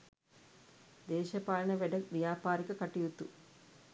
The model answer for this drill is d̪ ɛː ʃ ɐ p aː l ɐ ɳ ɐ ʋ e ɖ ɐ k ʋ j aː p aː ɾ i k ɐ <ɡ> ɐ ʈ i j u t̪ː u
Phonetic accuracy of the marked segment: incorrect: k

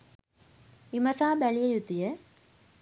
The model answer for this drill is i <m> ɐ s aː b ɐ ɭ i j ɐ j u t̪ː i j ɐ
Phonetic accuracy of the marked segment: correct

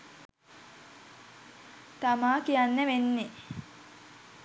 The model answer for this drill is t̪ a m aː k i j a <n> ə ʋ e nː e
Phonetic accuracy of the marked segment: incorrect: nː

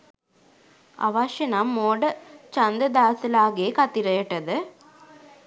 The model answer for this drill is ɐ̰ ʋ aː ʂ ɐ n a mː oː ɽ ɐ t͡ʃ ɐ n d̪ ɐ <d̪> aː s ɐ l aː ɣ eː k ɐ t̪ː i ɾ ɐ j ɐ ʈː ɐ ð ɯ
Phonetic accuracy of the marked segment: correct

